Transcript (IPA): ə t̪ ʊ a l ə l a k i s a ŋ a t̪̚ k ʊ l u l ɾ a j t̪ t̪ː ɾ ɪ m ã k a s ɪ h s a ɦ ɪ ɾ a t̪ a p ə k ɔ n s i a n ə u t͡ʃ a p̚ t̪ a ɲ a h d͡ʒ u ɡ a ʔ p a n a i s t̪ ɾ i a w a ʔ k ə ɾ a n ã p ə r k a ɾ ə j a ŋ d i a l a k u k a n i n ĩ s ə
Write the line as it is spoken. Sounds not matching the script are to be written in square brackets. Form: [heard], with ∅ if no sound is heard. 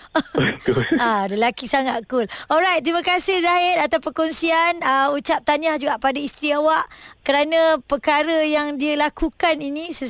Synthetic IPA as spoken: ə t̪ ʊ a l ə l a k i s a ŋ a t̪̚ k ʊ l [ɔ] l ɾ a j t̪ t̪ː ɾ [i] m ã k a s ɪ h [z] a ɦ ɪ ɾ a t̪ a p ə k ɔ n s i a n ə u t͡ʃ a p̚ t̪ a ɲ a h d͡ʒ u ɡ a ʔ p a [d] a i s t̪ ɾ i a w a ʔ k ə ɾ a n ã p ə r k a ɾ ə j a ŋ d i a l a k u k a n i n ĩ s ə